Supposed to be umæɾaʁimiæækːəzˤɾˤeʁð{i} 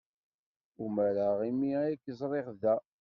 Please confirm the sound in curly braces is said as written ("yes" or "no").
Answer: no